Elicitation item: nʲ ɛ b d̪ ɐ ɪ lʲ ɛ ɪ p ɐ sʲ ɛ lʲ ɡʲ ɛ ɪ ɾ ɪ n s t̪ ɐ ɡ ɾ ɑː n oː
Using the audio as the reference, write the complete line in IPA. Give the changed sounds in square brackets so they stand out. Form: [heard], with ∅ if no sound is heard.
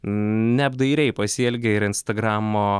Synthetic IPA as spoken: nʲ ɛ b d̪ ɐ ɪ [ɾʲ] ɛ ɪ p ɐ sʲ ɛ lʲ ɡʲ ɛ ɪ ɾ ɪ n s t̪ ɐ ɡ ɾ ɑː [m] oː